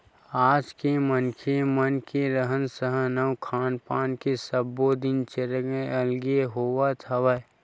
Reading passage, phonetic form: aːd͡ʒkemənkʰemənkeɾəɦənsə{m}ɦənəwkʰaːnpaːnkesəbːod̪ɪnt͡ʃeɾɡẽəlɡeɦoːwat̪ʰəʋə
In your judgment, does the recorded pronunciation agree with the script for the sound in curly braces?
no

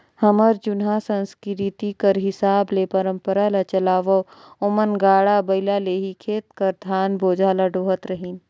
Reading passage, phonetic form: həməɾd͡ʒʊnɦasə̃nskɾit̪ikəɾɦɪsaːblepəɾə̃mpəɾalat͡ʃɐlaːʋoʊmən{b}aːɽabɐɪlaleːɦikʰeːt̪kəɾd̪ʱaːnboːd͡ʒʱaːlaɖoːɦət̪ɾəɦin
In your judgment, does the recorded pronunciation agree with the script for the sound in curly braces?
no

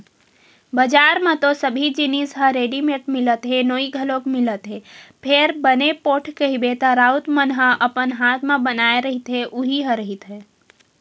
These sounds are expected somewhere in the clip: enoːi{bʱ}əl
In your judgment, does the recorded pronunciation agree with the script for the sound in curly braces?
no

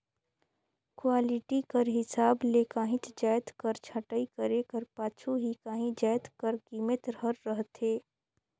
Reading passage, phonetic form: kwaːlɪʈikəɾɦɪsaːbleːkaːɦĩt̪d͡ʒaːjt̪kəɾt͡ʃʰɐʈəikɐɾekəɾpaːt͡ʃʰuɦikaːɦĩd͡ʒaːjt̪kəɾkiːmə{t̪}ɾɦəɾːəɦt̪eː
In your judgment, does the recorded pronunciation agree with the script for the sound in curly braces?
yes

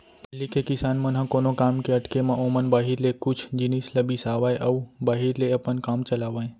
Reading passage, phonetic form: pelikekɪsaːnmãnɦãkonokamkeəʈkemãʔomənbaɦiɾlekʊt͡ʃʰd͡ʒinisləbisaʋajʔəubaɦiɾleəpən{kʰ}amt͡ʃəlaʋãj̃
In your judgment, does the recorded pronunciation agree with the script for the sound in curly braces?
no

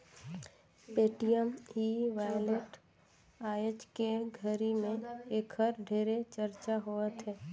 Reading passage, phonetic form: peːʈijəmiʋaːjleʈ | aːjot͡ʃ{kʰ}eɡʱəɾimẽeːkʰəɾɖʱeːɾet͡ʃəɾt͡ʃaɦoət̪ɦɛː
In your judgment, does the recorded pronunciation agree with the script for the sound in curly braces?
no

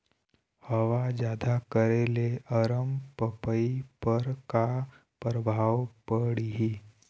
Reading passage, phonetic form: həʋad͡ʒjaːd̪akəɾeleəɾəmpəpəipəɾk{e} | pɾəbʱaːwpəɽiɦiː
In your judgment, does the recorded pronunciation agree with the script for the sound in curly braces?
no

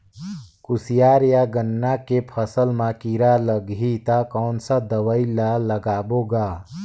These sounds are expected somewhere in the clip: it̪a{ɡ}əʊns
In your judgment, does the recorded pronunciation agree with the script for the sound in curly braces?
no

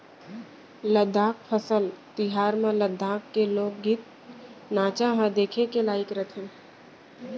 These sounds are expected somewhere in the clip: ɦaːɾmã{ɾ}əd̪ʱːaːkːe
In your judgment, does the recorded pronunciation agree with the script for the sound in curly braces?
no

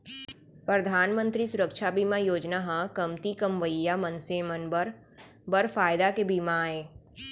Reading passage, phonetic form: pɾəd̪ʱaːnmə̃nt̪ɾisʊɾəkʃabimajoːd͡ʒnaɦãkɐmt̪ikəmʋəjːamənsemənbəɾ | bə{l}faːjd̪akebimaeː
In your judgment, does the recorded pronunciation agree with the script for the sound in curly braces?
no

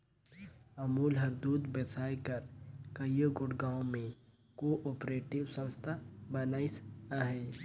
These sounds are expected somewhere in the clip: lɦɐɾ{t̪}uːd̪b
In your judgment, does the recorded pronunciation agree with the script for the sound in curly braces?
no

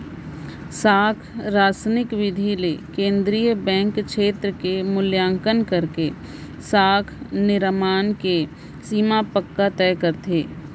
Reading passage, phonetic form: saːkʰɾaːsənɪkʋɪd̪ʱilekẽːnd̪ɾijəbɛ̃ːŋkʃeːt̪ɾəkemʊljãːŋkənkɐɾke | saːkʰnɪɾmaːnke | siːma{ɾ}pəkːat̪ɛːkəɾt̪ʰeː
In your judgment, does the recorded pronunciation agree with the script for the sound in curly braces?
no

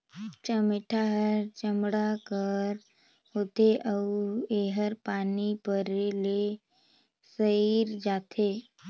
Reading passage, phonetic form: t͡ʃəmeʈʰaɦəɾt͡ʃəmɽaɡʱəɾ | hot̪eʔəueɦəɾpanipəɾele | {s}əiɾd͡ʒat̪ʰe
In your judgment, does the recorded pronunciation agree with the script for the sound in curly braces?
yes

